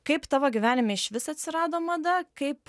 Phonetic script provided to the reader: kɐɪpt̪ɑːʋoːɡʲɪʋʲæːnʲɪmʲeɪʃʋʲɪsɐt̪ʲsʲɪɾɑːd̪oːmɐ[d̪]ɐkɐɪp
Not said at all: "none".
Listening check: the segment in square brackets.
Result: d̪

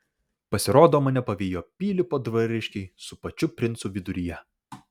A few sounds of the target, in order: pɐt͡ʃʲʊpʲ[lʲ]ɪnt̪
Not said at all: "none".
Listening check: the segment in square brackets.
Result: ɾʲ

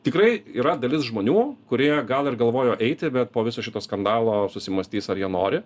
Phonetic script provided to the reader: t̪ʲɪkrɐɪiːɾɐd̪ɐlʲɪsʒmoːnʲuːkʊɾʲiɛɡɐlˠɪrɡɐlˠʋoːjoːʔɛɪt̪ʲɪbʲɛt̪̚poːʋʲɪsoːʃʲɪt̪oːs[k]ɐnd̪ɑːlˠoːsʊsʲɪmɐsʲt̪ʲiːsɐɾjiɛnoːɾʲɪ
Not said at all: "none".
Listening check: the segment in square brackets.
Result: k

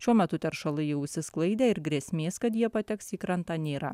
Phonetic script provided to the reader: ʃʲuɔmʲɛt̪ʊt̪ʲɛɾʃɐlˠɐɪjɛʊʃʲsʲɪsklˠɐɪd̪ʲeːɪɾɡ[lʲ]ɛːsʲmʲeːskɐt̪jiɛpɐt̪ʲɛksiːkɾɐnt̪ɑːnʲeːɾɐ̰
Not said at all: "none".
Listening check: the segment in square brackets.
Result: ɾʲ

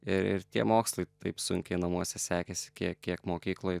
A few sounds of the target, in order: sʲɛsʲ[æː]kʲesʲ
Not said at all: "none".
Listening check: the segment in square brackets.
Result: æː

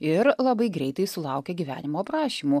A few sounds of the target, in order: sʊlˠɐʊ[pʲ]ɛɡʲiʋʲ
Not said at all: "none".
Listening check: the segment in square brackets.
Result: kʲ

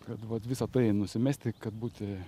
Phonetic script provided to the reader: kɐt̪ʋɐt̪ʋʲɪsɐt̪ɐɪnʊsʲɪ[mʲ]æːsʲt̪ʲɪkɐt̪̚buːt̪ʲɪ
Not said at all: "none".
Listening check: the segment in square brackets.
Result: mʲ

